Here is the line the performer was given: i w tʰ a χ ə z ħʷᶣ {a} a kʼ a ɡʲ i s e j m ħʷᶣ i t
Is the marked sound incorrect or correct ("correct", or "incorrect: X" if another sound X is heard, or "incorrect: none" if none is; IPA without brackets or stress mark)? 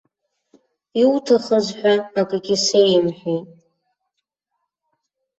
correct